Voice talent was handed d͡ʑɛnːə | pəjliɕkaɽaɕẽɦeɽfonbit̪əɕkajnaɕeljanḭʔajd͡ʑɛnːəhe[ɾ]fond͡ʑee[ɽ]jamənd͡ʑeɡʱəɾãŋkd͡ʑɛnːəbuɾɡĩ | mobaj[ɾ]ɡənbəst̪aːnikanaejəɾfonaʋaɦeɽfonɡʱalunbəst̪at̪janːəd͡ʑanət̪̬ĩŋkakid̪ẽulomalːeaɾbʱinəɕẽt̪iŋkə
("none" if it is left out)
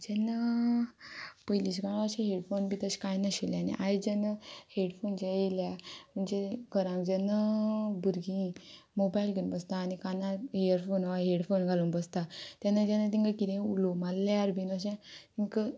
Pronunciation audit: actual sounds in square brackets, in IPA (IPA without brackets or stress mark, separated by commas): ɽ, l, l